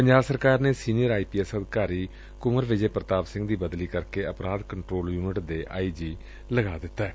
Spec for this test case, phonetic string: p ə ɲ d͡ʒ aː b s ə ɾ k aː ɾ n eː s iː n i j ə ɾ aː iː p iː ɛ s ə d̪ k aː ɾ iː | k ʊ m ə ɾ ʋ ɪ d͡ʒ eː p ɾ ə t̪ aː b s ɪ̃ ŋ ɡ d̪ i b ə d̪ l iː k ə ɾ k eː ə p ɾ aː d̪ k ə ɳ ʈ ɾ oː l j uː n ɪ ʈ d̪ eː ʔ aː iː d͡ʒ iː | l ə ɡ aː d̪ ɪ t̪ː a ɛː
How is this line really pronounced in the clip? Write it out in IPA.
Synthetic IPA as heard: p ə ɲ d͡ʒ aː b s ə ɾ k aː ɾ n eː s iː n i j ə ɾ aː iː p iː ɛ s ə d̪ k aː ɾ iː | k ʊ m ə ɾ ʋ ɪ d͡ʒ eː p ɾ ə t̪ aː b s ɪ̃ ŋ ɡ d̪ iː b ə d̪ l iː k ə ɾ k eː ə p ɾ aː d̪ k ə ɳ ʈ ɾ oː l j uː n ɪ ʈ d̪ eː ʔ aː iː d͡ʒ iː | l ə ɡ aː d̪ ɪ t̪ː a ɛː